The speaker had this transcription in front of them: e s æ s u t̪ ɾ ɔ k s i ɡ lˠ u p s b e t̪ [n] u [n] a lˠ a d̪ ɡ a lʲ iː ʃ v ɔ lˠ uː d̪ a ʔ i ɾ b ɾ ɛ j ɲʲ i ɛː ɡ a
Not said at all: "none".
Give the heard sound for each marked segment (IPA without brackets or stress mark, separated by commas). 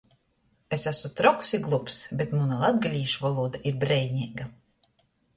m, n